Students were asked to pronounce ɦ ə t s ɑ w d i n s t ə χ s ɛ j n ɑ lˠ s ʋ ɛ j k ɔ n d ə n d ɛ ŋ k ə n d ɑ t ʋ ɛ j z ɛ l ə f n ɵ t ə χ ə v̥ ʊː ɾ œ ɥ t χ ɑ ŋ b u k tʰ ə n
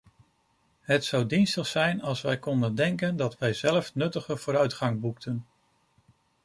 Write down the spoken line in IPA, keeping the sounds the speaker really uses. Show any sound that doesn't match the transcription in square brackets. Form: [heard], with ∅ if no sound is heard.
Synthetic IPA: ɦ ə t s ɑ w d i n s t ə χ s ɛ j n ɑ lˠ s ʋ ɛ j k ɔ n d ə n d ɛ ŋ k ə n d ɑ t ʋ ɛ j z ɛ l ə f n ɵ t ə χ ə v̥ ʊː ɾ œ ɥ t χ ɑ ŋ b u k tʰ ə n